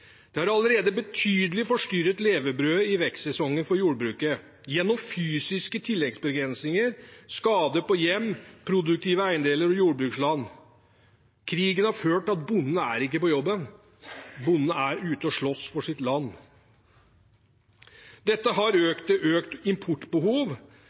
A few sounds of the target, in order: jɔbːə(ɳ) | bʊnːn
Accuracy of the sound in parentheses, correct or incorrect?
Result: incorrect